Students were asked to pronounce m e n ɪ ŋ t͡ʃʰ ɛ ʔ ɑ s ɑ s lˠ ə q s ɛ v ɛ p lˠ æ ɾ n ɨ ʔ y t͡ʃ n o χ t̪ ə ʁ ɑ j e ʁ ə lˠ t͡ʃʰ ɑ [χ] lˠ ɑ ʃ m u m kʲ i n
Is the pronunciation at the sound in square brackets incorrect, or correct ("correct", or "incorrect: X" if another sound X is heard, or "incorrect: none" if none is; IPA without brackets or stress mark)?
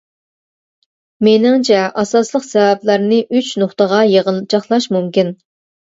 correct